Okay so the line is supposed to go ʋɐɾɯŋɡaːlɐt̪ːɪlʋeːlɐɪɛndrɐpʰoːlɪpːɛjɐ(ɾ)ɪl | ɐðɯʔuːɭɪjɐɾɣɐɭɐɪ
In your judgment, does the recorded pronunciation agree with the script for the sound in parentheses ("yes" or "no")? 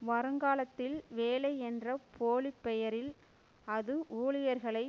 yes